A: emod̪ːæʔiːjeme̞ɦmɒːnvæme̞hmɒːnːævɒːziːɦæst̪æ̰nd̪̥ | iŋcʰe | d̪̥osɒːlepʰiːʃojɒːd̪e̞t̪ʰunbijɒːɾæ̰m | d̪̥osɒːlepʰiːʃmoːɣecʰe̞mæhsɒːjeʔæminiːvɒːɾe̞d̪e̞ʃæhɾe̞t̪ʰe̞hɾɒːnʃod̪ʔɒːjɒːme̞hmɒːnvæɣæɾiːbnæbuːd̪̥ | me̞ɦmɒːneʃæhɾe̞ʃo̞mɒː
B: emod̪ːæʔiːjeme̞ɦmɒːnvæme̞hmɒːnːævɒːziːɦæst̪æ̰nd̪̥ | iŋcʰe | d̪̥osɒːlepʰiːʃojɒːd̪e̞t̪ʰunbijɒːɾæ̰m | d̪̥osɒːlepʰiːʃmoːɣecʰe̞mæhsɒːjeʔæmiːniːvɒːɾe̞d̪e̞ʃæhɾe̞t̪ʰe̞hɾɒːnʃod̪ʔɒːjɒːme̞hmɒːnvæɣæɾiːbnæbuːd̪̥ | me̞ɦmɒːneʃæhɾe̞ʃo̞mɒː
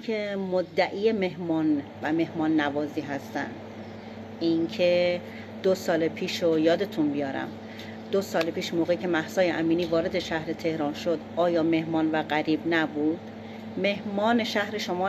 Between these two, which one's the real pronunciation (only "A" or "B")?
B